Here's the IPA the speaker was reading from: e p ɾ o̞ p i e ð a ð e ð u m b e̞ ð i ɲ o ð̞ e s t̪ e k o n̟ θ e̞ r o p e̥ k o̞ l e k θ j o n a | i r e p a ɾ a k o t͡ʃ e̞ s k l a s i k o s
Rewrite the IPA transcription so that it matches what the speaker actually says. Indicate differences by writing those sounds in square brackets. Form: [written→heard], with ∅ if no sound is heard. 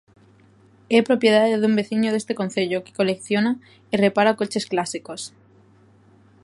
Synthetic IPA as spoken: e p ɾ o̞ p [i→j] e ð a ð e ð u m b e̞ [ð→θ] i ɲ o ð̞ e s t̪ e k o n̟ θ e̞ [r→ʎ] o [p→k] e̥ k o̞ l e k θ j o n a | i r e p a ɾ a k o t͡ʃ e̞ s k l a s i k o s

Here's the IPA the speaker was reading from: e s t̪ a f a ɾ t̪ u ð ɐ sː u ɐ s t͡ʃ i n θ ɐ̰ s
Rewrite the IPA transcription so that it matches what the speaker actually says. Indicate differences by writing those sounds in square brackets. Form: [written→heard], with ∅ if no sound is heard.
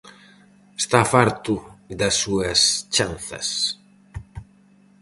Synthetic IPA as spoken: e s t̪ a f a ɾ t̪ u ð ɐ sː u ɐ s t͡ʃ [i→a] n θ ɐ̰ s

